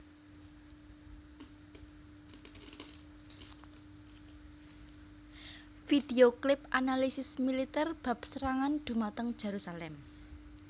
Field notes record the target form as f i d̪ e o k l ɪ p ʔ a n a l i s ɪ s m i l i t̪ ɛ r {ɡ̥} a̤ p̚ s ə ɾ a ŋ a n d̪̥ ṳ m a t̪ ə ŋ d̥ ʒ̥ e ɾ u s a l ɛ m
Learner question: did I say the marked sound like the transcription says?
no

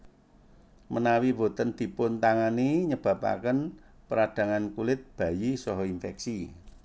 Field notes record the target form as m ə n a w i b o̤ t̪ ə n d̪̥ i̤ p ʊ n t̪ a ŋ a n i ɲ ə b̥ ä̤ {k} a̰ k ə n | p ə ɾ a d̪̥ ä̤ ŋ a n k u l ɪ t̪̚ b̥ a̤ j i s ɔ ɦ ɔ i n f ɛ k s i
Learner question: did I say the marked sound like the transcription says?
no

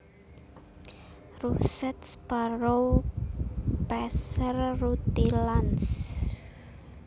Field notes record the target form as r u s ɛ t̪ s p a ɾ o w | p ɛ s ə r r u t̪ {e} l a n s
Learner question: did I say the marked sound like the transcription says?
no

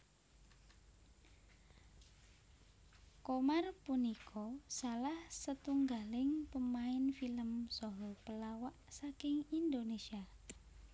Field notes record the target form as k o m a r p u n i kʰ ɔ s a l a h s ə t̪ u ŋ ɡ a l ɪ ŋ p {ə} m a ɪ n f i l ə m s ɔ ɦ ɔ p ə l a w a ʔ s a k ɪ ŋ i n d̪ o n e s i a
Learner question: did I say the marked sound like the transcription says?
yes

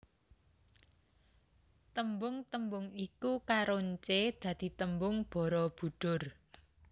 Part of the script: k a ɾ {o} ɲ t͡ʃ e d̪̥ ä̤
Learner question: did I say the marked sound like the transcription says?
yes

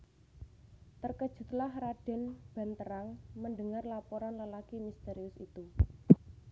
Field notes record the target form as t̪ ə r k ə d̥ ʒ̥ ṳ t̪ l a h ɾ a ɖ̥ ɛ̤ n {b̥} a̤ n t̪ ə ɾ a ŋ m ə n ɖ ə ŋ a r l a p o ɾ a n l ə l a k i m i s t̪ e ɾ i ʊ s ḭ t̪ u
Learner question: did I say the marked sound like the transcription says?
yes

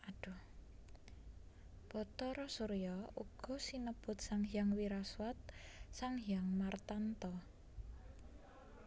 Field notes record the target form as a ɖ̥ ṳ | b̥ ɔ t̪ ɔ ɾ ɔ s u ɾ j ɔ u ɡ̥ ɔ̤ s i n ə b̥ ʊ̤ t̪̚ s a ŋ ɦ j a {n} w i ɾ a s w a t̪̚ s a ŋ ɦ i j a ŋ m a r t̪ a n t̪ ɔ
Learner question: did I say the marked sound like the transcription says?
no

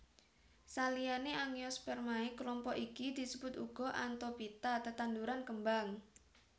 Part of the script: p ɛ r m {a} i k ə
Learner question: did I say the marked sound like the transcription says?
yes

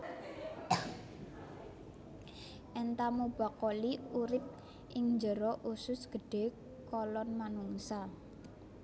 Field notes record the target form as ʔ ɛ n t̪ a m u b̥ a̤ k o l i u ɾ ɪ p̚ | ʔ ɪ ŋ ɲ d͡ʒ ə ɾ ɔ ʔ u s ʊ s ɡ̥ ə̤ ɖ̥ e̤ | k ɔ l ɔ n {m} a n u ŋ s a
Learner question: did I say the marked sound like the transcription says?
yes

